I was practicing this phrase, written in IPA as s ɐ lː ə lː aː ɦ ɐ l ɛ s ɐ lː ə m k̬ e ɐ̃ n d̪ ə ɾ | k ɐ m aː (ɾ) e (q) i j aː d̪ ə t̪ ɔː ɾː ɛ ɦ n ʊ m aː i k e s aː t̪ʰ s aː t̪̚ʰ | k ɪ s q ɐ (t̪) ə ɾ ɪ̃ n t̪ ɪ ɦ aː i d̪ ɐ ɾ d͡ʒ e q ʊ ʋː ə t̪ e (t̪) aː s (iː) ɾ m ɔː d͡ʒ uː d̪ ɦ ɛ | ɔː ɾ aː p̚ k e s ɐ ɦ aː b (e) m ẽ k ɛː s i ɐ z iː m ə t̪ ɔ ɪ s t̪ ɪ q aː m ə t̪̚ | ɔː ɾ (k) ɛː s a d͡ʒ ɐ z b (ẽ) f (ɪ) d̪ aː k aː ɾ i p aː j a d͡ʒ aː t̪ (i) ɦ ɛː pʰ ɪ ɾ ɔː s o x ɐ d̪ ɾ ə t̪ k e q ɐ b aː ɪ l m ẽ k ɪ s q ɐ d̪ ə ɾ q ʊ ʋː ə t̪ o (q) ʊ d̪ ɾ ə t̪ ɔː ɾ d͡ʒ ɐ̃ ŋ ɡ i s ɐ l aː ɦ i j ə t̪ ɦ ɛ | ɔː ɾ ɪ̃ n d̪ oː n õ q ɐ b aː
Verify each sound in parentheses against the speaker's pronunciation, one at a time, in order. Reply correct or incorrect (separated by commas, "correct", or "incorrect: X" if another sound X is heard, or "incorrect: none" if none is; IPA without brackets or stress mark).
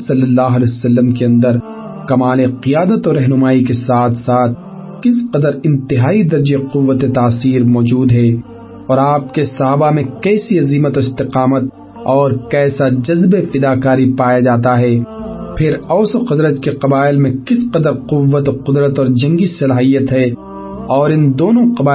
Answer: incorrect: l, correct, incorrect: d̪, correct, correct, incorrect: a, correct, incorrect: e, correct, incorrect: a, correct